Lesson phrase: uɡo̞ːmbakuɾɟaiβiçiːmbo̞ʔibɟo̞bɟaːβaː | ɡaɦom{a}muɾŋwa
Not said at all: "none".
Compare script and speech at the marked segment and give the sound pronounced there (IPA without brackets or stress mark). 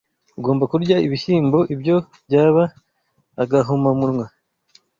a